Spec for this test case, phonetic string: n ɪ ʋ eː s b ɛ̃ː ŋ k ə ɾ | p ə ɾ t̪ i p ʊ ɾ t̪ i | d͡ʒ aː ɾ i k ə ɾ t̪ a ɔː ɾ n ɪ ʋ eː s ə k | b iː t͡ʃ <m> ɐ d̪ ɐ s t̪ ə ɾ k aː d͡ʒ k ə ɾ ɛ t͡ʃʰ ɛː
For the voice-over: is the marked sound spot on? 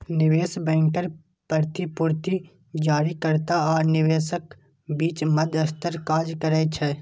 yes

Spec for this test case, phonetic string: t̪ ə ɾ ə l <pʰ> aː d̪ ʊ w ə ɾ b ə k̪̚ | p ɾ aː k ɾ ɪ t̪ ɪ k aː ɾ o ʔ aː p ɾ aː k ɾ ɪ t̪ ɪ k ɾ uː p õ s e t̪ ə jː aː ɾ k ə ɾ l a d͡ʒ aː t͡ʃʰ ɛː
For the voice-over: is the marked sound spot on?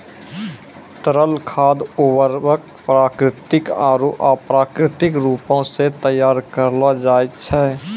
no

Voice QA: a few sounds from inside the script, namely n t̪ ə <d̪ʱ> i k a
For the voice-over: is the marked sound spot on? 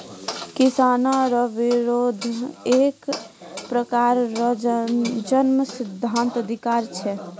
yes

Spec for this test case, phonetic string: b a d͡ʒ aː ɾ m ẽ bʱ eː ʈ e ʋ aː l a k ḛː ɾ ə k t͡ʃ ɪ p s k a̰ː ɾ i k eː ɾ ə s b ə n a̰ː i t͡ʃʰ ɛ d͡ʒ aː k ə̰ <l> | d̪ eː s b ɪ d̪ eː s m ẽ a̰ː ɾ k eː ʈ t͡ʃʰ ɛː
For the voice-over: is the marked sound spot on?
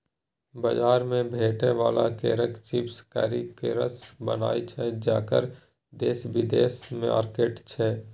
no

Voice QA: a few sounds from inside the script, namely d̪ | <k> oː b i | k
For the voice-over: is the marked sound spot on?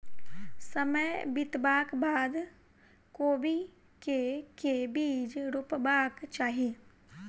yes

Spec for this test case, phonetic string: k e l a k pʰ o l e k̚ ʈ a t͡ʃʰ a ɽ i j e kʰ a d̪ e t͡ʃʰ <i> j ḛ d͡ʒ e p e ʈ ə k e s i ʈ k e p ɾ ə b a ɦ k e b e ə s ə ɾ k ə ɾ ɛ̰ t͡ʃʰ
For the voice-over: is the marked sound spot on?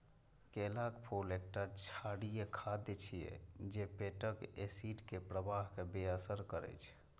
yes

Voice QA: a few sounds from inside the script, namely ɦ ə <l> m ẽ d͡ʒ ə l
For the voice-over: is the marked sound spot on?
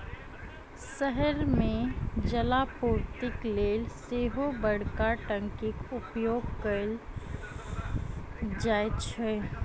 no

